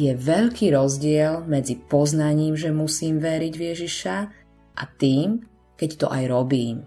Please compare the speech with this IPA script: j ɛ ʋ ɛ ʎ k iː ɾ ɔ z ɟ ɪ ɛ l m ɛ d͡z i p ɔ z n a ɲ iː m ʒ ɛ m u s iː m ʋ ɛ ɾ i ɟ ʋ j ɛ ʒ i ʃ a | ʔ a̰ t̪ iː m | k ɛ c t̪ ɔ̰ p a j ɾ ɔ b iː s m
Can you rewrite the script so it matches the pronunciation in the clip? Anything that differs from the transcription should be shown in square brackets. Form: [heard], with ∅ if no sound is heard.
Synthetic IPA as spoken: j ɛ ʋ ɛ ʎ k iː ɾ ɔ z ɟ ɪ ɛ l m ɛ d͡z i p ɔ z n a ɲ iː m ʒ ɛ m u s iː m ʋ ɛ ɾ i ɟ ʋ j ɛ ʒ i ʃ a | ʔ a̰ t̪ iː m | k ɛ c t̪ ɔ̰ [ʔ] a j ɾ ɔ b iː [∅] m